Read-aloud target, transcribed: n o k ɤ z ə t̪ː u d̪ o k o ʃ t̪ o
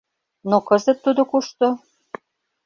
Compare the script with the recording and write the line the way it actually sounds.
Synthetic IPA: n o k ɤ z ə t̪ː u d̪ o k u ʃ t̪ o